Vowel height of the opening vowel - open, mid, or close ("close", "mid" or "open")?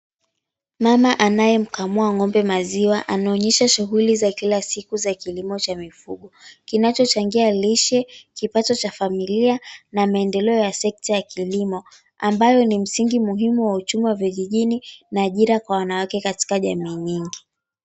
open